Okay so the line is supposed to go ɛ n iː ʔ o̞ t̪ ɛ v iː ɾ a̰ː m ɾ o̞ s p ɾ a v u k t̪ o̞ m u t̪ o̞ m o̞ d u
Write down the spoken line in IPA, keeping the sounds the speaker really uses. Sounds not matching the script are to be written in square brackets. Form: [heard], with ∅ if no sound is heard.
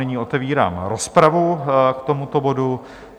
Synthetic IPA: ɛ [ɲ] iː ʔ o̞ t̪ ɛ v iː ɾ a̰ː m ɾ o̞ s p ɾ a v u k t̪ o̞ m u t̪ o̞ [b] o̞ d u